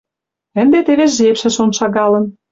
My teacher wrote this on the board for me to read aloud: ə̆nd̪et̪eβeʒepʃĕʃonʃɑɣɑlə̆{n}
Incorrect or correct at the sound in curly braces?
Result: correct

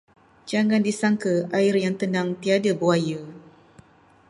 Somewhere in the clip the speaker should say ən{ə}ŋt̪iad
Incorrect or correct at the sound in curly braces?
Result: incorrect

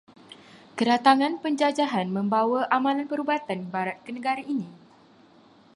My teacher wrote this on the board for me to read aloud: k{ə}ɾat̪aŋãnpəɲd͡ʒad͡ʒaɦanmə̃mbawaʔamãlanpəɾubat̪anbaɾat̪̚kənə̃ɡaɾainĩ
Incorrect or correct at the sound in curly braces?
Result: correct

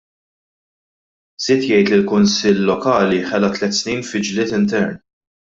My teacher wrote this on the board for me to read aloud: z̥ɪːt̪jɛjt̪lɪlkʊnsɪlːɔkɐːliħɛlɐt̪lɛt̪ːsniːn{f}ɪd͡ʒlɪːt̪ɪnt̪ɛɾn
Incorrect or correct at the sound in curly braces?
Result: correct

